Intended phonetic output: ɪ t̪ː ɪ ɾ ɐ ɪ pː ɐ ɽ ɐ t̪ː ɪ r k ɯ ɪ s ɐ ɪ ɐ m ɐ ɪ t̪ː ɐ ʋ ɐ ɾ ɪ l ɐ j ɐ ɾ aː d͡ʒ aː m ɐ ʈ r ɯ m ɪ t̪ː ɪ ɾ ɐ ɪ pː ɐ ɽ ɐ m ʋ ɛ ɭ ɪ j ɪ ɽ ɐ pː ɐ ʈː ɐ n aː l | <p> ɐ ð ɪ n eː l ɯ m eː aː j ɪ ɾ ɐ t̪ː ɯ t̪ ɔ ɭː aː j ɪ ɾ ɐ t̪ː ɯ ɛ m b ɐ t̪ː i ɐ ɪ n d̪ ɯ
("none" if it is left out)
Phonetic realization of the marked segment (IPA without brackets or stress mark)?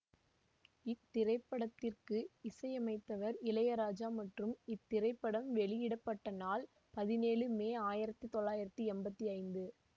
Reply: p